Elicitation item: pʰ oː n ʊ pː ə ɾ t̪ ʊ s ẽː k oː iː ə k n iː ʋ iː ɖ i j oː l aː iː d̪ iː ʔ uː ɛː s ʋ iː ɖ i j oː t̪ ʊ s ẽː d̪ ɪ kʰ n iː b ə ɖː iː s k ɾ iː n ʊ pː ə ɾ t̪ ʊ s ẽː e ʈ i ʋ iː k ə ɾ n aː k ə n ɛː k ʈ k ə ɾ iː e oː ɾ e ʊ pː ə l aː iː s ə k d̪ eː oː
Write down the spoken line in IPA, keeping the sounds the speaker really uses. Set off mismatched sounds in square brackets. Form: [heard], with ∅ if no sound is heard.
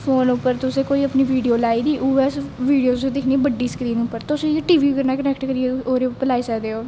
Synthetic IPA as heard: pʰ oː n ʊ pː ə ɾ t̪ ʊ s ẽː k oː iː ə [p] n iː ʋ iː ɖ i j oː l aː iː d̪ iː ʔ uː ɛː s ʋ iː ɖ i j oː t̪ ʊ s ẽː d̪ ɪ kʰ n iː b ə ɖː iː s k ɾ iː n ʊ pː ə ɾ t̪ ʊ s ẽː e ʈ [iː] ʋ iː k ə ɾ n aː k ə n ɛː k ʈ k ə ɾ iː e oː ɾ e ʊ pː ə l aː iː s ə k d̪ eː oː